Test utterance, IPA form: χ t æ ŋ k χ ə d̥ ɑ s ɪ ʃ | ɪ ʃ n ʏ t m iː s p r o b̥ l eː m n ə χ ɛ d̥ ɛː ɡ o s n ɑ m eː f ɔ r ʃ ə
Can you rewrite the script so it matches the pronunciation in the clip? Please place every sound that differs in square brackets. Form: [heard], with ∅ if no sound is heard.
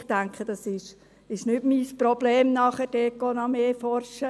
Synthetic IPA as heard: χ t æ ŋ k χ ə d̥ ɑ s ɪ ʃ | ɪ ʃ n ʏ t m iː s p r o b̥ l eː m n [ɑ] χ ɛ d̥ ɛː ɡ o [∅] n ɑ m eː f ɔ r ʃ ə